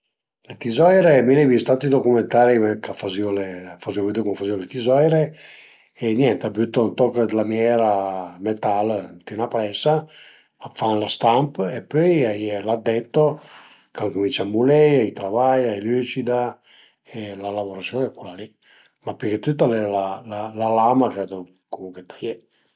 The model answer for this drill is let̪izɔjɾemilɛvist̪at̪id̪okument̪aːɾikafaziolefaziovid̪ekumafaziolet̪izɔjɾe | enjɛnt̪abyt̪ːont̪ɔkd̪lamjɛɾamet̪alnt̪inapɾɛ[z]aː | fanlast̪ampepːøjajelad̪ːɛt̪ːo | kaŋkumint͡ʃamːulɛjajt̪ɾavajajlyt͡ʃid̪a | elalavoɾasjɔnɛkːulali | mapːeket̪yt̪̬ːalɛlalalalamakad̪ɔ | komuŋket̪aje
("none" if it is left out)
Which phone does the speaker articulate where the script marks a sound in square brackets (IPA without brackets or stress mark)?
s